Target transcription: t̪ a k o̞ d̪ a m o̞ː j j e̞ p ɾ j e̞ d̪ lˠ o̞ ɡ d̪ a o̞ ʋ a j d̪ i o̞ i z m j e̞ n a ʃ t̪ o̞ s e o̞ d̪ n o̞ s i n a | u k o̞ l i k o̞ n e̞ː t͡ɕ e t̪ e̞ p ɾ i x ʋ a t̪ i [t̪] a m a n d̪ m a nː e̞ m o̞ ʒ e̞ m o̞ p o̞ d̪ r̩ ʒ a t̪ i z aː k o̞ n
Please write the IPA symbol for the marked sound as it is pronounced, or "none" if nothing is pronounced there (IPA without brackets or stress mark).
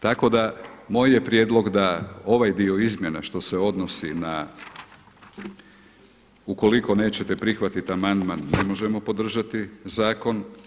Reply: t̪